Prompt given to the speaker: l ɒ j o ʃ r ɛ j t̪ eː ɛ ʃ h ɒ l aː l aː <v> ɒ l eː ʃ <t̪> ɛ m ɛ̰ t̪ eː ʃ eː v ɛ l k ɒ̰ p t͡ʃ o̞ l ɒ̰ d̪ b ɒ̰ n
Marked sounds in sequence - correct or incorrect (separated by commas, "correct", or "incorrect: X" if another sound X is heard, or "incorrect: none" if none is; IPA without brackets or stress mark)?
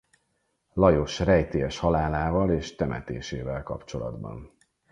correct, correct